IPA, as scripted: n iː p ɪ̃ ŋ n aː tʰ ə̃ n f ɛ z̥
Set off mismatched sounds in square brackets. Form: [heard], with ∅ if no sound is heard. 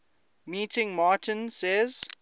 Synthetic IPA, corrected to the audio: [m] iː [t] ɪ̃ ŋ [m] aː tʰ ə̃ n [s] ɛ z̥